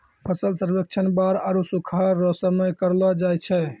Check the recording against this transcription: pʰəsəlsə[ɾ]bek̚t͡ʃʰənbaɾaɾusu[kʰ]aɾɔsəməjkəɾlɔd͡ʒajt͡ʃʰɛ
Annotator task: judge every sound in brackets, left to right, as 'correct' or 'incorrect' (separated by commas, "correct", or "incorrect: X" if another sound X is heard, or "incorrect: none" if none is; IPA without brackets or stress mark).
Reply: correct, correct